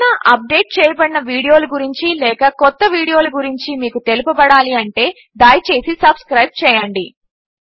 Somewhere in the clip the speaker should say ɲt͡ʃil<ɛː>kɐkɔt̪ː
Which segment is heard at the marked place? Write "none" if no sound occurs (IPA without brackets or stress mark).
ɛː